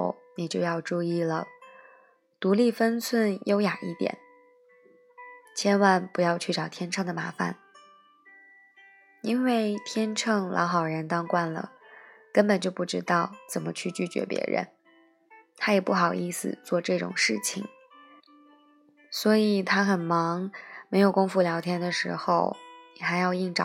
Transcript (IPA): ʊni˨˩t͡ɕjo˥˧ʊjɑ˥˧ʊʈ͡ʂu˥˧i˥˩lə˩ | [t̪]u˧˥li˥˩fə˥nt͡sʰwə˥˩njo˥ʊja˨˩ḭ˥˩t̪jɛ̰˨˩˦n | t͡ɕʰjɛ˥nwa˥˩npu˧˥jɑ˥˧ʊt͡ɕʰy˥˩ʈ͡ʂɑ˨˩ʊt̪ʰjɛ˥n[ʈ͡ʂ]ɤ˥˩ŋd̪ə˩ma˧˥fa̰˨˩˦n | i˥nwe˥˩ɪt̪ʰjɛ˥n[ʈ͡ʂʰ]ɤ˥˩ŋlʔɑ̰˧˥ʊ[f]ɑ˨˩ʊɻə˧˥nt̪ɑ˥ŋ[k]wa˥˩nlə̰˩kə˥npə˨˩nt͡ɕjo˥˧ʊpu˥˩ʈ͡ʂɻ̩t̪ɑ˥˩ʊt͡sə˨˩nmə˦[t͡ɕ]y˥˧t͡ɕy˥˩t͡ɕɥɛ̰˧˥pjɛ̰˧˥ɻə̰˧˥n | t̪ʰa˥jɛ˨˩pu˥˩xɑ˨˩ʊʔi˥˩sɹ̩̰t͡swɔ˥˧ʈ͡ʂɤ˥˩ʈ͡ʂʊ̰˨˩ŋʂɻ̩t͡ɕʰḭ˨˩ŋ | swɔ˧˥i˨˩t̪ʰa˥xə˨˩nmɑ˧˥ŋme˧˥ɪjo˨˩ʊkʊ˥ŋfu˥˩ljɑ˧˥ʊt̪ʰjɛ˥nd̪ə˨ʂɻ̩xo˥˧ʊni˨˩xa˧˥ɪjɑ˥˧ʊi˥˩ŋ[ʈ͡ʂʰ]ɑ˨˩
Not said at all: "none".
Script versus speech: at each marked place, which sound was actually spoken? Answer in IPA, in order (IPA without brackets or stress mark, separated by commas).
t̪, ʈ͡ʂʰ, ʈ͡ʂʰ, x, k, t͡ɕʰ, ʈ͡ʂ